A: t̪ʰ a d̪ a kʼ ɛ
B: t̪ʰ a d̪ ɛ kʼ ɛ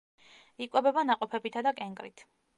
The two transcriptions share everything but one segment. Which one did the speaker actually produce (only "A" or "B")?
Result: A